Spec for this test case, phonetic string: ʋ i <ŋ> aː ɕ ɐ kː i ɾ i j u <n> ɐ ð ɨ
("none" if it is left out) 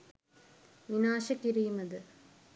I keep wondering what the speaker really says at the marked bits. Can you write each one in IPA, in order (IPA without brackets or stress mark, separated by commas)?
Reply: n, m